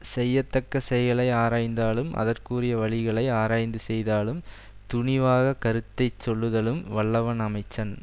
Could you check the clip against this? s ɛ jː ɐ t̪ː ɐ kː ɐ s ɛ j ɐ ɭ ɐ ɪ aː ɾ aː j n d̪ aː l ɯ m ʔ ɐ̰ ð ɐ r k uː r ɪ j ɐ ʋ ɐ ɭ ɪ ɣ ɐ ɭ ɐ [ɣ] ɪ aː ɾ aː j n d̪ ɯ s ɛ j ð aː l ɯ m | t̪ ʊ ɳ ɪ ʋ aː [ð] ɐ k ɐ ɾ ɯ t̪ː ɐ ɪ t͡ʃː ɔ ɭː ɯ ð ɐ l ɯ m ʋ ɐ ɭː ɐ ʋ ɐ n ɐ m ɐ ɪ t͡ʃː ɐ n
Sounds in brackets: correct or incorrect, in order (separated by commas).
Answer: incorrect, incorrect